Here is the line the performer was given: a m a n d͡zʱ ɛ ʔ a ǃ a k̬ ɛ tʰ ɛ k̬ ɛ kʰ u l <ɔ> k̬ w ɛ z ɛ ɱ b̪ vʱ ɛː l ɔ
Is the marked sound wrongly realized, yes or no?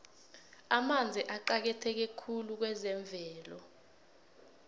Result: yes